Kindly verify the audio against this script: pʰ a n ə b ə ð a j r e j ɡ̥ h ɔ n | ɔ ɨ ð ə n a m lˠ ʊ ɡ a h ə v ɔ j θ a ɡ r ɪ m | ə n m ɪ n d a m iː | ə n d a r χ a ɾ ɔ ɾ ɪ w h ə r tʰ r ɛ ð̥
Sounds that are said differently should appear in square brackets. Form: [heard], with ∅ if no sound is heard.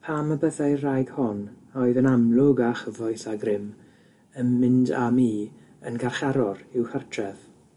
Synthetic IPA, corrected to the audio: pʰ a [m] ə b ə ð a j r [a] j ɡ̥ h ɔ n | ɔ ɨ ð ə n a m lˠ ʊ ɡ a [χ] ə v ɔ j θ a ɡ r ɪ m | ə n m ɪ n d a m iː | ə n [ɡ] a r χ a ɾ ɔ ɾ ɪ w h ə r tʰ r ɛ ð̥